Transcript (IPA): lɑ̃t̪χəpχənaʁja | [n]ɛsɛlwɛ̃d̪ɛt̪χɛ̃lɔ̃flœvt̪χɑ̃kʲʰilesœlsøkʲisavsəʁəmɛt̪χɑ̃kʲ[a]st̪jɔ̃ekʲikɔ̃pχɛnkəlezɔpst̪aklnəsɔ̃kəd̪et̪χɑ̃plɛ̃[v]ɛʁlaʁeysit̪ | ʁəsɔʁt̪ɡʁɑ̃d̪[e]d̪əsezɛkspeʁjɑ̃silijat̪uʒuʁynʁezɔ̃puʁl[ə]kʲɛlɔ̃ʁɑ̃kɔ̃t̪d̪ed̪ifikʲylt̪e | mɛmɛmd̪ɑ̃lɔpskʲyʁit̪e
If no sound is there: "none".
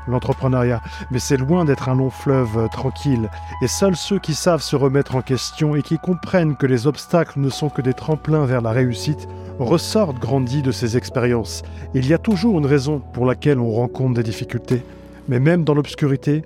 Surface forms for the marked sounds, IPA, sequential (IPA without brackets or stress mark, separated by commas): m, ɛ, v, i, a